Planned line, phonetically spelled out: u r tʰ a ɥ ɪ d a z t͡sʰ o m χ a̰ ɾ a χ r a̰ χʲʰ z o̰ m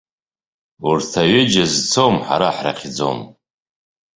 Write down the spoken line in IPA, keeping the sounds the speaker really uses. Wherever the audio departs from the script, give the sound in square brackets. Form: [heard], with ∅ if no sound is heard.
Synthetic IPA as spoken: u r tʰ a ɥ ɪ [d͡ʒ] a z t͡sʰ o m [ħ] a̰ ɾ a [ħ] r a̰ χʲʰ [d͡z] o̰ m